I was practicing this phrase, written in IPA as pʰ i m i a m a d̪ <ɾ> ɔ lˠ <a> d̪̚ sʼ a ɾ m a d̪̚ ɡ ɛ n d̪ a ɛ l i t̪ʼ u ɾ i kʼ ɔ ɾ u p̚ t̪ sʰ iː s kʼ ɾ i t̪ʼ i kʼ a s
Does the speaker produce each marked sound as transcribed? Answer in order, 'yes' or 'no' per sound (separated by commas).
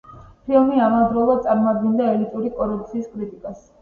yes, yes